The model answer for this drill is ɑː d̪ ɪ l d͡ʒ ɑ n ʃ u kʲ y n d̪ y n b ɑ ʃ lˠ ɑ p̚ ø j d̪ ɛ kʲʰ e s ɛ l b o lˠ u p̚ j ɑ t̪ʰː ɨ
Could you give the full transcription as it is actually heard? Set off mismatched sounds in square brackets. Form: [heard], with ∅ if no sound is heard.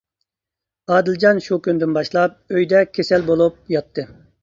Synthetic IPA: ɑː d̪ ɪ l d͡ʒ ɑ n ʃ u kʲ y n d̪ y n b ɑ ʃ lˠ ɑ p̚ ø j d̪ ɛ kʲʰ e s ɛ l b o lˠ u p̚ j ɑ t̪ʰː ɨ